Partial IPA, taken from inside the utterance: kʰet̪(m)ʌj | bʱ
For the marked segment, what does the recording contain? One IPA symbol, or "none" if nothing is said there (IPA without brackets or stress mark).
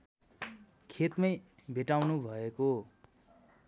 m